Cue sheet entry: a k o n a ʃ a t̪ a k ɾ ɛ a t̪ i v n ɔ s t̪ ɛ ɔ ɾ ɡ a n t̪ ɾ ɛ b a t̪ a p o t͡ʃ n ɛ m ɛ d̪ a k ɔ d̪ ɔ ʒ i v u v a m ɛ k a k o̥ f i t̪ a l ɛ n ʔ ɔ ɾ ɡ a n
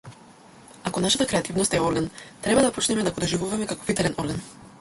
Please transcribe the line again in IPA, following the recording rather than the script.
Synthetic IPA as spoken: a k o n a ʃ a t̪ a k ɾ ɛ a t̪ i v n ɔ s t̪ ɛ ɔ ɾ ɡ a n t̪ ɾ ɛ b a d̪ a p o t͡ʃ n ɛ m ɛ d̪ a k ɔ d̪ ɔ ʒ i v u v a m ɛ k a k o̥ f i t̪ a l ɛ n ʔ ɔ ɾ ɡ a n